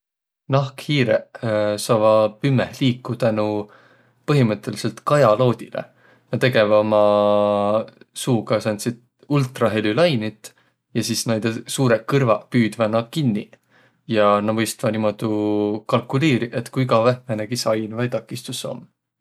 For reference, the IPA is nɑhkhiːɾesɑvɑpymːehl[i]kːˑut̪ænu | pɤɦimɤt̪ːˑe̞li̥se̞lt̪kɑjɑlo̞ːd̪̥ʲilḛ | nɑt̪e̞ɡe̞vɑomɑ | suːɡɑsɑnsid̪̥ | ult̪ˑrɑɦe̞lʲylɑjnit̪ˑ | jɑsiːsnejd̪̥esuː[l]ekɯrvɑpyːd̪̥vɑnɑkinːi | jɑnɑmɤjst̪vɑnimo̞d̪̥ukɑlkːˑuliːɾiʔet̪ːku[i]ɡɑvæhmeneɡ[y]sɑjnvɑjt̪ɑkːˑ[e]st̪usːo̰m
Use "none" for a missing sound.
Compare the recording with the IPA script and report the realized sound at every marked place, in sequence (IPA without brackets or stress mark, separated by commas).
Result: iː, ɾ, i, i, i